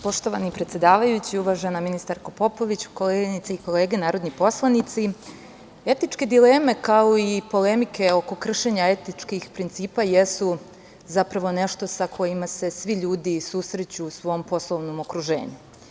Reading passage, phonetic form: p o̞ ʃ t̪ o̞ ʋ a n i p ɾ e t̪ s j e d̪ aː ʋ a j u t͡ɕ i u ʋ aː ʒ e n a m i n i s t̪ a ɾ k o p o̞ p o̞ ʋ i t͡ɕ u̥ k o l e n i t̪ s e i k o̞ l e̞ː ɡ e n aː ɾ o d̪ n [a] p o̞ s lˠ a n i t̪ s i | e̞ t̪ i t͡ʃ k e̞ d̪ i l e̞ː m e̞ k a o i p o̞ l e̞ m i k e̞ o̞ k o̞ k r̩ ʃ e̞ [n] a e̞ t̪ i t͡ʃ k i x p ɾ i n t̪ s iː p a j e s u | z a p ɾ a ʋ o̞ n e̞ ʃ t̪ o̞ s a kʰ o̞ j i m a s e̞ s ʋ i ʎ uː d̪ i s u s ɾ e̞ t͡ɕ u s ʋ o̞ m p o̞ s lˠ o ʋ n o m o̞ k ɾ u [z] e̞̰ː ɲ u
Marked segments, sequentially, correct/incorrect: incorrect: i, incorrect: ɲ, incorrect: ʒ

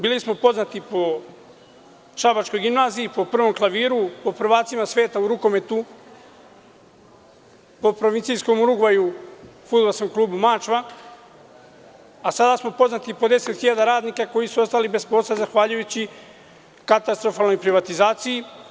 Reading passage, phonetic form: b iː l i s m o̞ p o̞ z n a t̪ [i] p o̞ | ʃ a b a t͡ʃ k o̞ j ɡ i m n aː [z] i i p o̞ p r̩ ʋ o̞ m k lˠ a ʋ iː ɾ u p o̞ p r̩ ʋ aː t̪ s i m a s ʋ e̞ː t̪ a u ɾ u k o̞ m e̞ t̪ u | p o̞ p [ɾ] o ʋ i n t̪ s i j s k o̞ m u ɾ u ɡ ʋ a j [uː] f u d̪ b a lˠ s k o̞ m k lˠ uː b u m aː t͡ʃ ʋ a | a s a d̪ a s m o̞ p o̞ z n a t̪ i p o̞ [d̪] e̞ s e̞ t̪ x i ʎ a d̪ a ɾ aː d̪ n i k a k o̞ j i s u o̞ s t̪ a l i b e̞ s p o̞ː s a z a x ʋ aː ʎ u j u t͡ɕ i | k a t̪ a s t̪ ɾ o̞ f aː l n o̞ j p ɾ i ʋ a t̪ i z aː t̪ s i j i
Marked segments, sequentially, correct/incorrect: correct, correct, correct, incorrect: u, correct

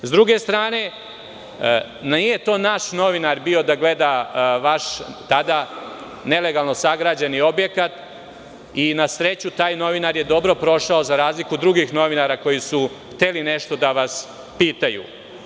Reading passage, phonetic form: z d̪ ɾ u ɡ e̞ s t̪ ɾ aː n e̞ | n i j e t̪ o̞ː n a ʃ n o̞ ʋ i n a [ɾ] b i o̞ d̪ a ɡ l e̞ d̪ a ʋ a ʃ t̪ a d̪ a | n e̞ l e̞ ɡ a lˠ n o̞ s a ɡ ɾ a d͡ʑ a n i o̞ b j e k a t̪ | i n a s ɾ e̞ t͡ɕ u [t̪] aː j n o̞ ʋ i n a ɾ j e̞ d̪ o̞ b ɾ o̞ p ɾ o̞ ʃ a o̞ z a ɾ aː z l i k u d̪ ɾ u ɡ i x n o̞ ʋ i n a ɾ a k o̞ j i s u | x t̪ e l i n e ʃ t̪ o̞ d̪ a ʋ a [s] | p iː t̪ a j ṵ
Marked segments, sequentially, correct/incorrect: correct, correct, correct

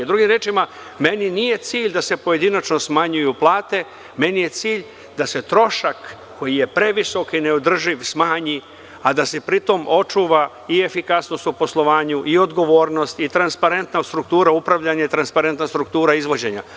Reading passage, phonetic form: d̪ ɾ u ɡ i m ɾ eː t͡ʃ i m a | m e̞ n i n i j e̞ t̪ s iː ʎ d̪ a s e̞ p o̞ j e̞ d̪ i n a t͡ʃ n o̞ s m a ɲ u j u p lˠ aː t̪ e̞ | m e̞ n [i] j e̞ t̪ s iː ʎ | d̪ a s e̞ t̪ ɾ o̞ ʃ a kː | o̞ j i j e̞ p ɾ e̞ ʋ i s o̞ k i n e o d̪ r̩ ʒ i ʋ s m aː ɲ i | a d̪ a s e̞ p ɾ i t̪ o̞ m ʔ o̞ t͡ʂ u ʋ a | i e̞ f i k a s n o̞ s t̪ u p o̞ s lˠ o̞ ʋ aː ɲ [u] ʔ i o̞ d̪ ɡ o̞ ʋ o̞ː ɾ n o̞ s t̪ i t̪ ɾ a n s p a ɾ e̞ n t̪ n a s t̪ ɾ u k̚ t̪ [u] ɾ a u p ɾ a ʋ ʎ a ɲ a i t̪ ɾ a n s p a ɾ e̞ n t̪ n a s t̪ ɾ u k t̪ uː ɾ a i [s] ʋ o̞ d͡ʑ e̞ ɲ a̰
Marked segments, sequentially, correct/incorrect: correct, correct, incorrect: uː, incorrect: z

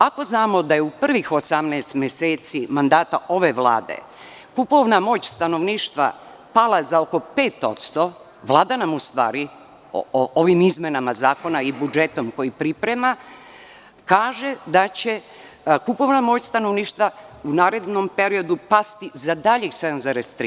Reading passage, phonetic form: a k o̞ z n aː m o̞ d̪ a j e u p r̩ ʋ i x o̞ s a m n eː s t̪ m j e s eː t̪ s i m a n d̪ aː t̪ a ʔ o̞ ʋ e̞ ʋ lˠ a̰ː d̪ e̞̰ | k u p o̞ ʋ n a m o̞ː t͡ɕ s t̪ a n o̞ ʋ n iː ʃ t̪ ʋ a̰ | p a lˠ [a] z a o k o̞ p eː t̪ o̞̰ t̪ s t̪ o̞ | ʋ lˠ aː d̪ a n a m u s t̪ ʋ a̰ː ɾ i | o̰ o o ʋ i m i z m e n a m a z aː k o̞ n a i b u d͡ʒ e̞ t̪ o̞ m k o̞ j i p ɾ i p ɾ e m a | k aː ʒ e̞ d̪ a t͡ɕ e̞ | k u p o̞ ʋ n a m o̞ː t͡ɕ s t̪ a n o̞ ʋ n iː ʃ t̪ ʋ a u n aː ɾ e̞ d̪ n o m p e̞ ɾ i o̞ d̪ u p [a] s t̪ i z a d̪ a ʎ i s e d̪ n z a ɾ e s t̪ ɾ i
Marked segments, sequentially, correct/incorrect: correct, correct

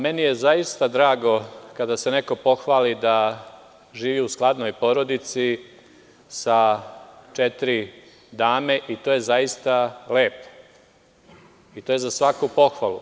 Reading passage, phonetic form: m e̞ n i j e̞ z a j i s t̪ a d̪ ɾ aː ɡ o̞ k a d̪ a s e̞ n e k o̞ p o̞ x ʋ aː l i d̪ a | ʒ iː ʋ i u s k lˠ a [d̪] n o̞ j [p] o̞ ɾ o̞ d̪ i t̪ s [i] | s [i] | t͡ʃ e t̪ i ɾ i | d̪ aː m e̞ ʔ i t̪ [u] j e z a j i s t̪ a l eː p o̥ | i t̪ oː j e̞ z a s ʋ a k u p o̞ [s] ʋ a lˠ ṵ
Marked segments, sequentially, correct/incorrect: correct, correct, correct, incorrect: a, incorrect: o, incorrect: x

